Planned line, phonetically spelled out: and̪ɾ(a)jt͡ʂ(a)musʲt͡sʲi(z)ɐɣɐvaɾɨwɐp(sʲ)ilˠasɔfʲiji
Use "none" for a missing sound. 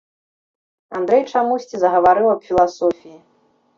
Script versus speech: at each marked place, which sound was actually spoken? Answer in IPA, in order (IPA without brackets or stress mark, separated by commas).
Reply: ɛ, a, z, fʲ